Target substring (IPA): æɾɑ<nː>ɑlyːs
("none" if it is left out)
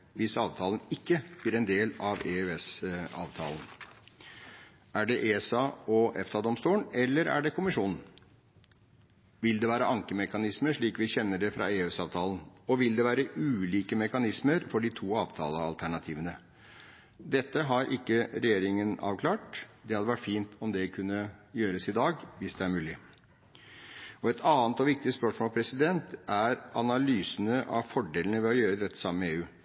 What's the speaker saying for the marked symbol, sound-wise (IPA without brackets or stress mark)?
n